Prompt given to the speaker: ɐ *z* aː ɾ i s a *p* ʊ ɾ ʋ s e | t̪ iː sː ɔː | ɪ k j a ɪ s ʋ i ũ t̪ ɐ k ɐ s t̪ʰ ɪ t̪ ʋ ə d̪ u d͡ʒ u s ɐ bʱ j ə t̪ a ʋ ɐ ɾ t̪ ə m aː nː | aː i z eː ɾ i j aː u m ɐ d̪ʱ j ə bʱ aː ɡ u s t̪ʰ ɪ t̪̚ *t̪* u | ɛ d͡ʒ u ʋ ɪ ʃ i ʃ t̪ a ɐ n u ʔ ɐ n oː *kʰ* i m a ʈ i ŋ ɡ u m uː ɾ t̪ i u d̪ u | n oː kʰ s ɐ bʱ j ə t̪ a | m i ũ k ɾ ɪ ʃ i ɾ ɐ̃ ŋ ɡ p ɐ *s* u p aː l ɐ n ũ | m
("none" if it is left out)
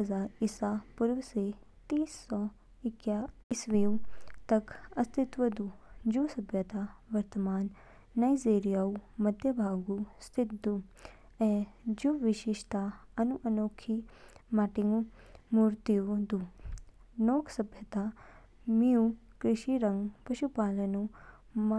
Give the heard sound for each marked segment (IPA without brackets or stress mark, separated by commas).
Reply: z, p, d̪, kʰ, ʃ